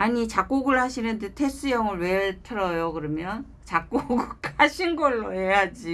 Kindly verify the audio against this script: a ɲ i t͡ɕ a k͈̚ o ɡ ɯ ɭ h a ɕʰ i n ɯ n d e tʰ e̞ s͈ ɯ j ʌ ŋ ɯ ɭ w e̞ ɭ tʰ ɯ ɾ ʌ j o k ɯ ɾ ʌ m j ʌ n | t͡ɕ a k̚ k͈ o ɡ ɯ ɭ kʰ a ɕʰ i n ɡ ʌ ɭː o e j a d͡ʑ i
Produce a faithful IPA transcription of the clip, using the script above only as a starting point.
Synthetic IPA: a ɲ i t͡ɕ a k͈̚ o ɡ ɯ ɭ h a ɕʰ i n ɯ n d e tʰ e̞ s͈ ɯ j ʌ ŋ ɯ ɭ w e̞ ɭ tʰ ɯ ɾ ʌ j o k ɯ ɾ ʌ m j ʌ n | t͡ɕ a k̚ k͈ o ɡ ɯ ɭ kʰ a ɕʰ i n ɡ ʌ ɭː o e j a d͡ʑ i